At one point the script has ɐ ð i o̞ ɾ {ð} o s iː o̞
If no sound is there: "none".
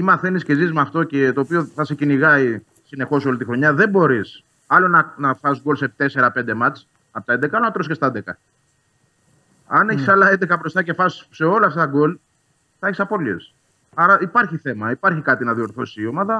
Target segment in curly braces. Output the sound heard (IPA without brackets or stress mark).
θ